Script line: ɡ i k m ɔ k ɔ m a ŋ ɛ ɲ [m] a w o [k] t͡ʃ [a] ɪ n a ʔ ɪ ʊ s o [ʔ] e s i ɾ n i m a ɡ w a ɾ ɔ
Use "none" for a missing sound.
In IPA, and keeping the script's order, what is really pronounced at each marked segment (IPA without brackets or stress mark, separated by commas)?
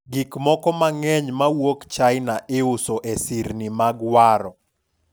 m, k, a, ʔ